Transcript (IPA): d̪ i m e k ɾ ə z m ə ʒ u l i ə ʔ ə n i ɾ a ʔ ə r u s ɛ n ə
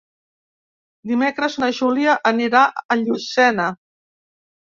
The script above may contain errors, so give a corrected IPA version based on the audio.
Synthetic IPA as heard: d̪ i m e k ɾ ə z n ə ʒ u l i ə ʔ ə n i ɾ a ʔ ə ʎ u s ɛ n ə